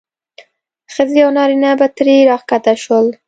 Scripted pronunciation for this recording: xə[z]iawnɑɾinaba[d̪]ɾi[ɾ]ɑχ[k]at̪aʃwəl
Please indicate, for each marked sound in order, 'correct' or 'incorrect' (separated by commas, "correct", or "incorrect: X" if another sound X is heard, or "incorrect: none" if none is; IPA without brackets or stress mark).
correct, incorrect: t̪, correct, correct